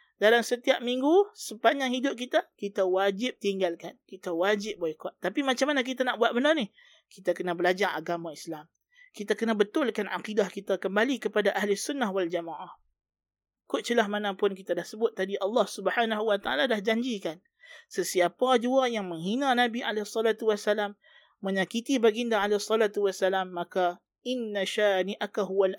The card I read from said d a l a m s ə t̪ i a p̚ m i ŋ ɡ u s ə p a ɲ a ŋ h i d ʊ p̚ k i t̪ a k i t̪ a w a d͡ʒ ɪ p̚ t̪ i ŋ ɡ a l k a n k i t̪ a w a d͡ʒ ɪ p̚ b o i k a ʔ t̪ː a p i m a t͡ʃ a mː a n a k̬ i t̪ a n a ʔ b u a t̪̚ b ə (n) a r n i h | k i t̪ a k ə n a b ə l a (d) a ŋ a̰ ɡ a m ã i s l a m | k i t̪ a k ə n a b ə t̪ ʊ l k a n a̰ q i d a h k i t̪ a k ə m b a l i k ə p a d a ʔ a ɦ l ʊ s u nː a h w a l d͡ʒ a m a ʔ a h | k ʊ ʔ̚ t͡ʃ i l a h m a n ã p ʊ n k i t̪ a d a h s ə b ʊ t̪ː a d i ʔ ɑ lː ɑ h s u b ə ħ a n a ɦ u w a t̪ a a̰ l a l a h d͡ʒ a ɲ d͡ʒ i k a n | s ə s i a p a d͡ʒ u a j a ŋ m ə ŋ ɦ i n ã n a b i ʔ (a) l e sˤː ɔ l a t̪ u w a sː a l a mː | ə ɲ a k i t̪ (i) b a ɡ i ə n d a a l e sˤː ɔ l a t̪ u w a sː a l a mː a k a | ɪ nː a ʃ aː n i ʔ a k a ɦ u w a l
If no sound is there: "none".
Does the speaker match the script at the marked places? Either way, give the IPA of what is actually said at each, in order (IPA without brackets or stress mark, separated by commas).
n, d͡ʒ, a, i